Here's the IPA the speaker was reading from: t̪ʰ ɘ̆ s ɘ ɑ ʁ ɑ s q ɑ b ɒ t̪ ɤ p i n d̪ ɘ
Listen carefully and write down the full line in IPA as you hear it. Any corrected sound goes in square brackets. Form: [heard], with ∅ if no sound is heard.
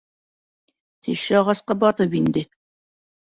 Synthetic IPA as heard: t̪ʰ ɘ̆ [ʃ] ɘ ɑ ʁ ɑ s q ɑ b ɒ t̪ ɤ p i n d̪ ɘ